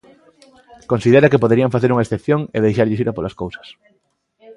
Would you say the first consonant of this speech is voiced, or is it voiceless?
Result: voiceless